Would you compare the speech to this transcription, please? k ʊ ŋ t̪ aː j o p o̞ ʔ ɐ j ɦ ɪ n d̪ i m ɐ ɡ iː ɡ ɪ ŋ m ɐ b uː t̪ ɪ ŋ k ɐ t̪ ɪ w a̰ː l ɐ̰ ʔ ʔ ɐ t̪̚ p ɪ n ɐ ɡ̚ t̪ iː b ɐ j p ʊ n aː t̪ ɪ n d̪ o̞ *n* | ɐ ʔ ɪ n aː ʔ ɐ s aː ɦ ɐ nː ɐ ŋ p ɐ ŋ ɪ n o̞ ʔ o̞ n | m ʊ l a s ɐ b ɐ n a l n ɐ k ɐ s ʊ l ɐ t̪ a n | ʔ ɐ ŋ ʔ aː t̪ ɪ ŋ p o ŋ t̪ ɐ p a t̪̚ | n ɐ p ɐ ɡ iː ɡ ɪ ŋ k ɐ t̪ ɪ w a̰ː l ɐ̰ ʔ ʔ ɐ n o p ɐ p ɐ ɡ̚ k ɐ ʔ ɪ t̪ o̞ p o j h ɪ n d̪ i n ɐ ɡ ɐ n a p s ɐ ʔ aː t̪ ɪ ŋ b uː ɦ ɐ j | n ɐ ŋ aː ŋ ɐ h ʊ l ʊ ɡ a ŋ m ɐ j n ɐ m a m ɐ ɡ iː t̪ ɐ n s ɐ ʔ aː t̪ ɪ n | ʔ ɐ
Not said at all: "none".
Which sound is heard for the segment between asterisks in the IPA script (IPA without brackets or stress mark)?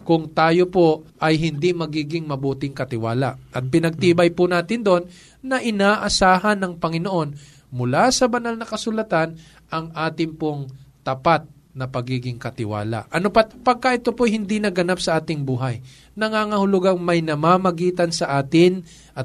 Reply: nː